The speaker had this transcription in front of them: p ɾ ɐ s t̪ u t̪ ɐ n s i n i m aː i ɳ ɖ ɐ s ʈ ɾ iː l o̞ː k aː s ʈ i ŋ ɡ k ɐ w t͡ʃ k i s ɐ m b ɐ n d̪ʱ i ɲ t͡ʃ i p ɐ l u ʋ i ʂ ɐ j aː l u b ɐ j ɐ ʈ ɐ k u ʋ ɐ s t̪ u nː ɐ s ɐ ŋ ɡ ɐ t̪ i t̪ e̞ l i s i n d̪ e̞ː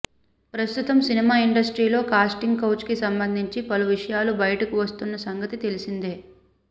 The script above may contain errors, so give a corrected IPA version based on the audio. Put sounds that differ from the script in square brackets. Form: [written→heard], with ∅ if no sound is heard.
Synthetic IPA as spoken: p ɾ ɐ s t̪ u t̪ ɐ [n→m] s i n i m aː i ɳ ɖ ɐ s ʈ ɾ iː l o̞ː k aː s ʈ i ŋ ɡ k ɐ w t͡ʃ k i s ɐ m b ɐ n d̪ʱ i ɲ t͡ʃ i p ɐ l u ʋ i ʂ ɐ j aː l u b ɐ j ɐ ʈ ɐ k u ʋ ɐ s t̪ u nː ɐ s ɐ ŋ ɡ ɐ t̪ i t̪ e̞ l i s i n d̪ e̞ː